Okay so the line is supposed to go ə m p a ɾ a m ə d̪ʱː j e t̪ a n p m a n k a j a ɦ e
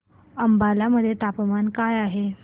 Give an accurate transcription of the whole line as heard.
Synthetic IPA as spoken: ə m b a l a m ə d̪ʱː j e t̪ a p m a n k a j a ɦ e